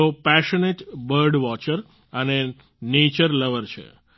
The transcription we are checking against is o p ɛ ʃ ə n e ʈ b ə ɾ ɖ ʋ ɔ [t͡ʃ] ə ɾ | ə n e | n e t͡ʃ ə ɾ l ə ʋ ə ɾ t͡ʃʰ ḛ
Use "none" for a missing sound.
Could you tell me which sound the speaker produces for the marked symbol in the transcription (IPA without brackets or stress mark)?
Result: t͡ʃ